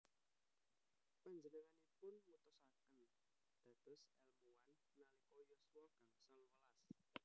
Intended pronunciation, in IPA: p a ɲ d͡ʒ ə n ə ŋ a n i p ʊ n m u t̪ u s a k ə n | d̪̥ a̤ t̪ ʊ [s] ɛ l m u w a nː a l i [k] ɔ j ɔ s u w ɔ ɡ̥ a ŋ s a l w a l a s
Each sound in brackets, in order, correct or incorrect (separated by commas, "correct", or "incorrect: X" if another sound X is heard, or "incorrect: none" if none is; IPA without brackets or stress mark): correct, correct